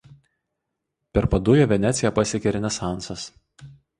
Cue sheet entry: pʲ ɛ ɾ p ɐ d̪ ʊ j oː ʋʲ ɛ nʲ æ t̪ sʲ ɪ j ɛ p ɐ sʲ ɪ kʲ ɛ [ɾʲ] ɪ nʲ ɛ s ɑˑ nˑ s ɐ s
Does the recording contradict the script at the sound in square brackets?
no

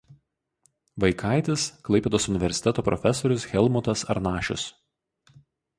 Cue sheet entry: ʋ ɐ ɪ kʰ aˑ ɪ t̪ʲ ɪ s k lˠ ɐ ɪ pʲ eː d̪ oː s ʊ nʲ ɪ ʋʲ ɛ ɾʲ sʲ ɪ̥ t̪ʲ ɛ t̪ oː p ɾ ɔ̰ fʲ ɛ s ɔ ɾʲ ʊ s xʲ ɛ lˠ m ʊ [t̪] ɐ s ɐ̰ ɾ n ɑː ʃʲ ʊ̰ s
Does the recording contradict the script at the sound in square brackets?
no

